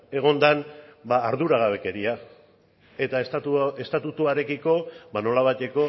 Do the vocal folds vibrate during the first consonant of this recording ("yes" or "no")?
yes